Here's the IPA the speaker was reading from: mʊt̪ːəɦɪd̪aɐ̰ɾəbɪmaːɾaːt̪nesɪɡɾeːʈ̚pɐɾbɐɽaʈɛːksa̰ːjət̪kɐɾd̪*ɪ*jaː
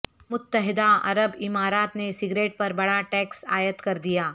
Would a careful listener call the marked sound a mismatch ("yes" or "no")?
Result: yes